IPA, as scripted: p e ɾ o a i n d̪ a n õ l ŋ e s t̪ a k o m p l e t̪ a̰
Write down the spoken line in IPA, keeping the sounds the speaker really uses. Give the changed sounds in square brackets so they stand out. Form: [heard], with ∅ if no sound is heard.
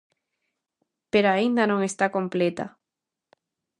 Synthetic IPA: p e ɾ o a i n d̪ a n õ [∅] ŋ e s t̪ a k o m p l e t̪ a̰